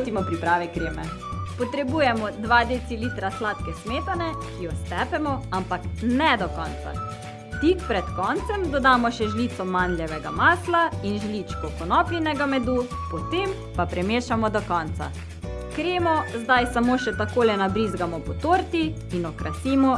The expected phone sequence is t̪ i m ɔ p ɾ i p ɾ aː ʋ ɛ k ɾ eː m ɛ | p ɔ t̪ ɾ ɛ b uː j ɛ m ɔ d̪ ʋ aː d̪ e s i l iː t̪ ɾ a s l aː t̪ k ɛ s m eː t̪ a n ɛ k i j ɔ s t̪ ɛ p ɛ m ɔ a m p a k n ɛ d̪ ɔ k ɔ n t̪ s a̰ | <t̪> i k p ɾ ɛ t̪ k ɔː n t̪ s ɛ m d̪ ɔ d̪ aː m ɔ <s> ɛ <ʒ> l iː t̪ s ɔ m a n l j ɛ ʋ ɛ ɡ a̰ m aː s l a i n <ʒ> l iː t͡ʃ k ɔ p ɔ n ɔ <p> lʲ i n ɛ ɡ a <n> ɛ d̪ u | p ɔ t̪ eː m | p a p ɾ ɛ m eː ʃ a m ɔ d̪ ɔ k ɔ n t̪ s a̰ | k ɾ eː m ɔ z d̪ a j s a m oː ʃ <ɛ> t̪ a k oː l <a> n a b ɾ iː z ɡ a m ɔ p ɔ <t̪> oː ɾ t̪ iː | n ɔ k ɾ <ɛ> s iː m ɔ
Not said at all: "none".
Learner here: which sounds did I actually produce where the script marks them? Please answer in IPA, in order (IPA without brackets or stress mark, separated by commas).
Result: t̪, ʃ, ʒ, ʒ, p, m, ɛ, ɛ, t̪, a